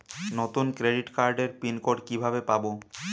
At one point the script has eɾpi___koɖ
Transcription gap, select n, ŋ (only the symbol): n